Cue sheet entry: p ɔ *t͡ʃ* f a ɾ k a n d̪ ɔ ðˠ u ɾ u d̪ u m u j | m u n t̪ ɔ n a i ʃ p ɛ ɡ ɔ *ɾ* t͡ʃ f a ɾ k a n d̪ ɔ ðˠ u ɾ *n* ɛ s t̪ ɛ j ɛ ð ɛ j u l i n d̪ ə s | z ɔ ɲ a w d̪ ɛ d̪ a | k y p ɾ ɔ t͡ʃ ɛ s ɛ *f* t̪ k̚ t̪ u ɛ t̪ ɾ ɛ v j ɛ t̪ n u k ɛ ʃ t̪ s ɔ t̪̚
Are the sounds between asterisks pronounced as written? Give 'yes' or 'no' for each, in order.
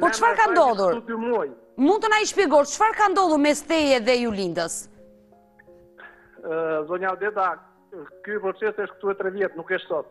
yes, yes, no, no

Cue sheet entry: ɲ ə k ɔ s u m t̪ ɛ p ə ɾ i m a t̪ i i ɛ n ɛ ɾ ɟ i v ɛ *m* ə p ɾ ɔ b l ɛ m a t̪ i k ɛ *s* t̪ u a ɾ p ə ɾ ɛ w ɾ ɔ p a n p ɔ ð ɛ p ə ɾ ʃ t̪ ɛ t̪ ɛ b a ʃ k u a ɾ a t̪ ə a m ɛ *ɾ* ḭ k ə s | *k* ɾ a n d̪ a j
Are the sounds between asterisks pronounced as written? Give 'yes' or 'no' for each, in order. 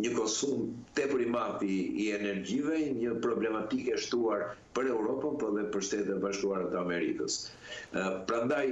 no, no, yes, no

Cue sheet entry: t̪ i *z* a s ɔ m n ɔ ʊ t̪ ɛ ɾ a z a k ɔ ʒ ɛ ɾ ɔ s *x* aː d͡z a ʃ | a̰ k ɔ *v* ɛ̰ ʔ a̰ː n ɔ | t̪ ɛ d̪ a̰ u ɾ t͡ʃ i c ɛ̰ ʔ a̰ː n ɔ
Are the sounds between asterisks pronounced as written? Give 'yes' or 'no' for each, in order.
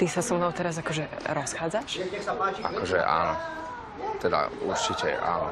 no, yes, no

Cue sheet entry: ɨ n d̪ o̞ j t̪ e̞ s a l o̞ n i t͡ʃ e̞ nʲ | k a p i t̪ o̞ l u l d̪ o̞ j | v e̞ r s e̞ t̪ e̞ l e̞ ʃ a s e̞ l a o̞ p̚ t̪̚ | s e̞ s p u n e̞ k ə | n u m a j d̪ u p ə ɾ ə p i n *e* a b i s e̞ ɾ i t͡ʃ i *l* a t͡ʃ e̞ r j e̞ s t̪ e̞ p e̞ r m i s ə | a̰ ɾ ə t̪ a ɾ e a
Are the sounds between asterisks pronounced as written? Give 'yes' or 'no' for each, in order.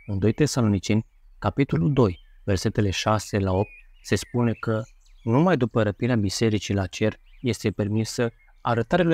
yes, yes

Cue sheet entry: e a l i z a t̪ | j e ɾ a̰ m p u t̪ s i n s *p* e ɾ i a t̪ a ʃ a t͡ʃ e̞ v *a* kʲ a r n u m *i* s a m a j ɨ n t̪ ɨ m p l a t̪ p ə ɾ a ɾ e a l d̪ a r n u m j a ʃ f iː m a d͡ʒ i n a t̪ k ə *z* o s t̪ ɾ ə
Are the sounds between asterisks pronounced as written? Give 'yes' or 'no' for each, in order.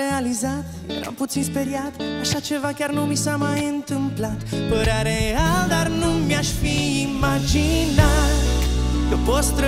yes, yes, yes, no

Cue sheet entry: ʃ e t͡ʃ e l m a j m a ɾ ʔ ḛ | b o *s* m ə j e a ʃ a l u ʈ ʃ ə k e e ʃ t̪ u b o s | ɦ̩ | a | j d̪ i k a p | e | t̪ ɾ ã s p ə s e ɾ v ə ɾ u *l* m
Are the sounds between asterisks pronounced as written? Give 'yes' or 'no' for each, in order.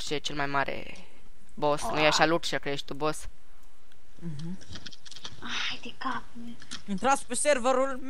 yes, yes

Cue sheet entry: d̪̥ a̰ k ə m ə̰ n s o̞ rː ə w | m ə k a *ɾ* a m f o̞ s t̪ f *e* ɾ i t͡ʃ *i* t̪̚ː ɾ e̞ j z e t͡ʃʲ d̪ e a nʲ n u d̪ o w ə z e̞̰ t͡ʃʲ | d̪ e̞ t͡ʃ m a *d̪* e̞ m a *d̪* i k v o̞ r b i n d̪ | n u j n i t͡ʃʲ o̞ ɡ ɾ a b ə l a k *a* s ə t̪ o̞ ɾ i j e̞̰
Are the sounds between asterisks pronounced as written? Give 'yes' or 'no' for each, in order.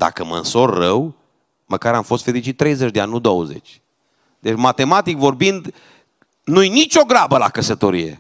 yes, yes, yes, no, no, no

